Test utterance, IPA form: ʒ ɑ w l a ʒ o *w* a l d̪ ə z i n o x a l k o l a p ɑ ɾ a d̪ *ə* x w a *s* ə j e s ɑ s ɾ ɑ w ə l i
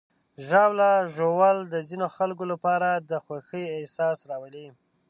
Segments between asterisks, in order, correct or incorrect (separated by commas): correct, correct, incorrect